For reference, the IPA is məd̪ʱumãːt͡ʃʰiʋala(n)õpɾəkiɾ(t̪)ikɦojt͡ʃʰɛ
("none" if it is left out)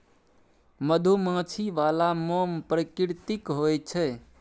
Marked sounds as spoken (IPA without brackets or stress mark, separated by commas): m, t̪